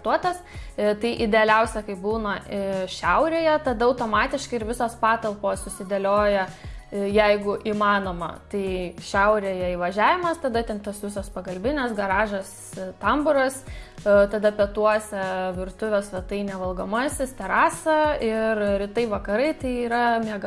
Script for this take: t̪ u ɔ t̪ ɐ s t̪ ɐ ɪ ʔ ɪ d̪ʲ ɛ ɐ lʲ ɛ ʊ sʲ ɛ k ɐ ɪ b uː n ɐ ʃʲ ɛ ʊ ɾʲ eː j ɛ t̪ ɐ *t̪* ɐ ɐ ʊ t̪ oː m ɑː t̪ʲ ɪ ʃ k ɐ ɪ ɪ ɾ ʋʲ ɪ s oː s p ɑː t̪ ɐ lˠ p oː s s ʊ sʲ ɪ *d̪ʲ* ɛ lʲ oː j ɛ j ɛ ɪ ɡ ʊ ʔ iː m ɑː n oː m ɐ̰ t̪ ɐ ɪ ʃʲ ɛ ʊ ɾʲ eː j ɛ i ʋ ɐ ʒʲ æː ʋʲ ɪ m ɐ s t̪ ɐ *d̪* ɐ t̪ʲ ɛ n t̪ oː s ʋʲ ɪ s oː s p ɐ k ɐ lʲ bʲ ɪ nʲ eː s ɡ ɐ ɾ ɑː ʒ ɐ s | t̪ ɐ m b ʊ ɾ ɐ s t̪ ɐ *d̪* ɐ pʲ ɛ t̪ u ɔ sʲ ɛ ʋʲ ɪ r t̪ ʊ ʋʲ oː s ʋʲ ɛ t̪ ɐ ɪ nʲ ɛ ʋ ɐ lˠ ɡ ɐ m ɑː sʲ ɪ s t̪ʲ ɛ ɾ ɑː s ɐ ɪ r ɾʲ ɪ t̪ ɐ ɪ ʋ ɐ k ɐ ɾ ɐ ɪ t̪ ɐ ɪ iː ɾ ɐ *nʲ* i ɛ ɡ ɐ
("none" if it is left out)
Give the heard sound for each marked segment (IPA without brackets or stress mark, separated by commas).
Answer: d̪, d̪ʲ, d̪, d̪, mʲ